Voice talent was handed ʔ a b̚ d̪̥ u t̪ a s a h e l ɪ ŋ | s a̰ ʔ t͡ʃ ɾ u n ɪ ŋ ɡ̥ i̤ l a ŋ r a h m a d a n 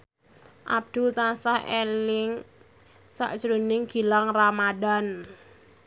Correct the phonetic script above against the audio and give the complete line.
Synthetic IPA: ʔ a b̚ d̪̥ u t̪ a s a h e l ɪ ŋ | s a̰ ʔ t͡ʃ ɾ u n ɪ ŋ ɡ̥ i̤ l a ŋ r a m a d a n